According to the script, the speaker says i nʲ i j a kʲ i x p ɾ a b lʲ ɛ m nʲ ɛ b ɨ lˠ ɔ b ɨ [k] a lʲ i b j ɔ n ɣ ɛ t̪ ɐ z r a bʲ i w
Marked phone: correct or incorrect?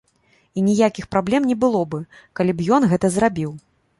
correct